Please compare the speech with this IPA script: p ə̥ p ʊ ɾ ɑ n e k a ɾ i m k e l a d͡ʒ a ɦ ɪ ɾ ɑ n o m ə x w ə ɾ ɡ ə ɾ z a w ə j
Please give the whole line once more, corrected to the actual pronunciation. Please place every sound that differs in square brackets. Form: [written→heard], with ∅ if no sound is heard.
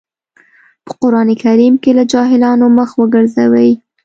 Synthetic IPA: p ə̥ [p→q] ʊ ɾ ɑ n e k a ɾ i m k e l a d͡ʒ [a→ɑ] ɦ ɪ [ɾ→l] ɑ n o m ə x w ə [ɾ→∅] ɡ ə ɾ z a w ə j

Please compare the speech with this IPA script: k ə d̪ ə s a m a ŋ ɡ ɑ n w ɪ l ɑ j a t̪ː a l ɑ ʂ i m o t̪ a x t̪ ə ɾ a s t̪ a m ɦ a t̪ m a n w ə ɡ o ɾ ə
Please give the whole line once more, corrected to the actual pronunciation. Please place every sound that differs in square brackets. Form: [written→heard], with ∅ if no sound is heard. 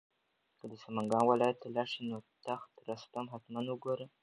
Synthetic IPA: k ə d̪ ə s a m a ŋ ɡ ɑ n w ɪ l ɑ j a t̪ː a l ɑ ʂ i [m→n] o t̪ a x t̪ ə ɾ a s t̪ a m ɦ a t̪ m a n w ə ɡ o ɾ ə

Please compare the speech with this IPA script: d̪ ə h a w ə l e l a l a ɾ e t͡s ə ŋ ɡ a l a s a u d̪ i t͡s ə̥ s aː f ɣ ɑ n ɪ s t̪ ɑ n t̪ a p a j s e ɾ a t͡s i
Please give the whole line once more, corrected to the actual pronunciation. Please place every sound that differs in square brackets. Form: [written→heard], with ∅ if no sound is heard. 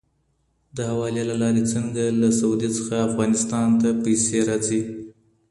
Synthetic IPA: d̪ ə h a w [ə→ɑ] l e l a l [a→ɑ] ɾ e t͡s ə ŋ ɡ a l a s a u d̪ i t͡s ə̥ [s→x] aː f ɣ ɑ n ɪ s t̪ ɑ n t̪ a p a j s e ɾ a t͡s i

